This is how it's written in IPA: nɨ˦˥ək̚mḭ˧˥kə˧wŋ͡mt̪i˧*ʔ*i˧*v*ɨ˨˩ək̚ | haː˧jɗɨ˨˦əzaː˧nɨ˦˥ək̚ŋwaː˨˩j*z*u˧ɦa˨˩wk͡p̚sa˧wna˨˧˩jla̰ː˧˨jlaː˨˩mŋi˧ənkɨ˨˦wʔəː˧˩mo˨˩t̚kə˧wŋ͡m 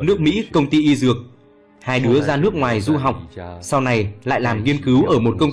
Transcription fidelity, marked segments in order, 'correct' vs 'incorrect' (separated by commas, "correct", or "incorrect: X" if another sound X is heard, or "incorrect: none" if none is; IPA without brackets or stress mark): correct, incorrect: z, correct